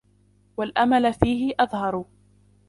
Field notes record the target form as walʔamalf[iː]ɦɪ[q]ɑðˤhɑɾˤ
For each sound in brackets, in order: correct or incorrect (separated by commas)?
correct, incorrect